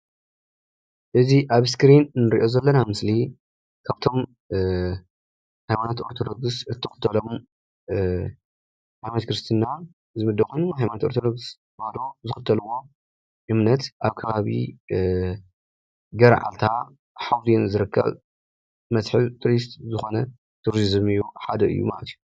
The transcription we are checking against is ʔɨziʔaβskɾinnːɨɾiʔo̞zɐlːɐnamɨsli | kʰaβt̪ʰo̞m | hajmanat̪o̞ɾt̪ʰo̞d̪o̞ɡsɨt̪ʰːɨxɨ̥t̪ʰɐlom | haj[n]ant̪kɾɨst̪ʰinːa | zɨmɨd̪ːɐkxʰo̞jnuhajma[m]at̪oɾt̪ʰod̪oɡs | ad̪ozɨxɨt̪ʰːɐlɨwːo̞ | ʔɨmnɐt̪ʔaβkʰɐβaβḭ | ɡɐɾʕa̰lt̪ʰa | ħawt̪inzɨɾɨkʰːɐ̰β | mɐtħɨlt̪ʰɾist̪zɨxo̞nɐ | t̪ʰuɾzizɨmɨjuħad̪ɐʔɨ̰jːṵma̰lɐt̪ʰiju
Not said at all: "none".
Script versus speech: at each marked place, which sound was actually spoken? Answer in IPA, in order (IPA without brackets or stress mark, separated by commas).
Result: m, n